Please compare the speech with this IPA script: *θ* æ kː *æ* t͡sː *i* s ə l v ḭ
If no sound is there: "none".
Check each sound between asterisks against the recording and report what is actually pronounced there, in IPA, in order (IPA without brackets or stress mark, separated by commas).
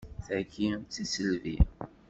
θ, i, i